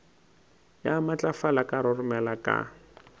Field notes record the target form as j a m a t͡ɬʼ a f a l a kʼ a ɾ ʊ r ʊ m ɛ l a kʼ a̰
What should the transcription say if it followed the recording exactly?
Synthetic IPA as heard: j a m a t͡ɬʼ a f a l a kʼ a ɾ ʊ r ʊ m ɛ l a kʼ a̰

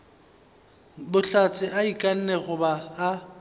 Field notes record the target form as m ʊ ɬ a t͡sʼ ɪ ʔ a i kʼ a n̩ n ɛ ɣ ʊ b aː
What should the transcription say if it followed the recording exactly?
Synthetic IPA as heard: b ʊ ɬ a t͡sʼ ɪ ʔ a i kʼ a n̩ n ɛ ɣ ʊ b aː

